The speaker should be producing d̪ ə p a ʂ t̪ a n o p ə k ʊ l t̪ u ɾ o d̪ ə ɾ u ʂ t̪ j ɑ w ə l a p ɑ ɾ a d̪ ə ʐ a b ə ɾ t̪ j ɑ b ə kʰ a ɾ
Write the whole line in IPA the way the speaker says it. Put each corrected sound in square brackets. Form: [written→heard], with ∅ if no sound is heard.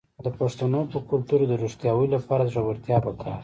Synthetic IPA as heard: d̪ ə p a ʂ t̪ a n o p ə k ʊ l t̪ u ɾ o d̪ ə ɾ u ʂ t̪ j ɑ w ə l a p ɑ ɾ a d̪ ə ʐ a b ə ɾ t̪ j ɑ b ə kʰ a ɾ